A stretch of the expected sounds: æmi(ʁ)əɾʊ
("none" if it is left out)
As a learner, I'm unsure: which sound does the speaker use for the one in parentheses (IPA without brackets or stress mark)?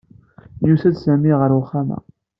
ʁ